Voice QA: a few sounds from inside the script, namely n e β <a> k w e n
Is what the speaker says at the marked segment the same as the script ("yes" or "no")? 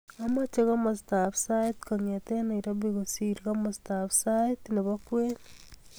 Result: yes